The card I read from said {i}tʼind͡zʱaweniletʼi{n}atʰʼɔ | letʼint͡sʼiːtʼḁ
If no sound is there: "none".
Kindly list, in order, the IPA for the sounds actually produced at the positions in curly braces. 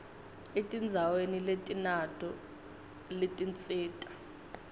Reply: e, n

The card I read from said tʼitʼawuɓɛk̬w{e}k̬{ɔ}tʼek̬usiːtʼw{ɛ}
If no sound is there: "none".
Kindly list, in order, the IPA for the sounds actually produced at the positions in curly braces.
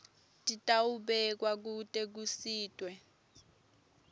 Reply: a, u, ɛ

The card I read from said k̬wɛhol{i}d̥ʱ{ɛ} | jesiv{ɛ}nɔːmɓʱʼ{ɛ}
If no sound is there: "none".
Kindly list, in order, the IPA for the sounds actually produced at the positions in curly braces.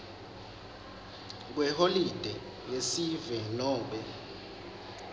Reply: i, ɛ, ɛ, ɛ

